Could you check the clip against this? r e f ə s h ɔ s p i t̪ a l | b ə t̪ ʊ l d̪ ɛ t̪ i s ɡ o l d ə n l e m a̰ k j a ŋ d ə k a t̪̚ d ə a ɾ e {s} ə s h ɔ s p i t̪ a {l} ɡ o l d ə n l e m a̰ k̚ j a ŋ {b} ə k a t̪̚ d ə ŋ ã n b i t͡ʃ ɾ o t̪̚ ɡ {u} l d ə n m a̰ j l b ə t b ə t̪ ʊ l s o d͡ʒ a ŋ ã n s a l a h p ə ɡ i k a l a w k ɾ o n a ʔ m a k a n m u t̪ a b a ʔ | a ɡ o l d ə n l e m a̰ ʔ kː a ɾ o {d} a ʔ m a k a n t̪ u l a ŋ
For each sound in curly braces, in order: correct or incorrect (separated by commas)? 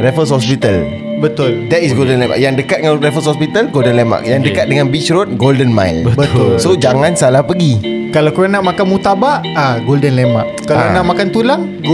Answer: incorrect, correct, incorrect, incorrect, incorrect